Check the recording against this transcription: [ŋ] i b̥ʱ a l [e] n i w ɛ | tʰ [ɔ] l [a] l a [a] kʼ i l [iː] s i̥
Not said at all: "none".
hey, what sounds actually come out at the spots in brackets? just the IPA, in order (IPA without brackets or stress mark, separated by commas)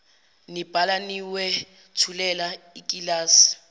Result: n, a, u, ɛ, i, aː